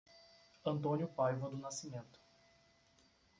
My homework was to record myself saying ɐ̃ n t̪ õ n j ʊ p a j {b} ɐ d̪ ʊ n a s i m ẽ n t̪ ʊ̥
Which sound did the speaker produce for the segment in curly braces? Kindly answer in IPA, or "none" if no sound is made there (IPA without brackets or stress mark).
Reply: v